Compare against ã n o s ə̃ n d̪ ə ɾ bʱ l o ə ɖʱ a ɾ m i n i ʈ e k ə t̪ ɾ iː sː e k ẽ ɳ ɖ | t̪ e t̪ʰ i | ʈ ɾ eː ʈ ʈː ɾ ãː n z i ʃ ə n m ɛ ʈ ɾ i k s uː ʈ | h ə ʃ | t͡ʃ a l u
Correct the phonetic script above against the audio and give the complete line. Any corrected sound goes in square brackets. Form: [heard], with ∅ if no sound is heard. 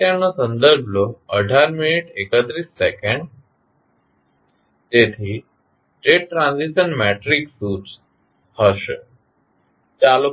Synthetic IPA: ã n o s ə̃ n d̪ ə ɾ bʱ l o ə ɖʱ a ɾ m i n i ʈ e k ə t̪ ɾ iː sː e k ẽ ɳ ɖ | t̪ e t̪ʰ i | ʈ ɾ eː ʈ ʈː ɾ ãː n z i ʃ ə n m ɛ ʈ ɾ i k s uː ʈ | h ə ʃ | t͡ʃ a l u